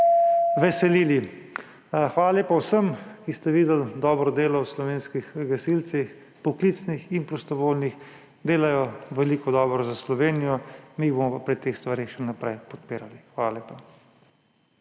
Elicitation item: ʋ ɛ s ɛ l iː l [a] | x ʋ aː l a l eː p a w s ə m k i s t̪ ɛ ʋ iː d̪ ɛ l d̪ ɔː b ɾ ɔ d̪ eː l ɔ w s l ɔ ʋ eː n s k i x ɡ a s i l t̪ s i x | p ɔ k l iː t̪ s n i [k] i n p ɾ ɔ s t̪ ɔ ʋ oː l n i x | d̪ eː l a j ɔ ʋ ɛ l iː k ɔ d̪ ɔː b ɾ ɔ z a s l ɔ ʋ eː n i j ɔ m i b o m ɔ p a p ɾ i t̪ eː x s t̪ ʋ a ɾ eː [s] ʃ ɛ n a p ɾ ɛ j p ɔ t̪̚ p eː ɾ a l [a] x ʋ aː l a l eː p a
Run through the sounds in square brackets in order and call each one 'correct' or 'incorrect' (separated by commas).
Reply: incorrect, incorrect, incorrect, incorrect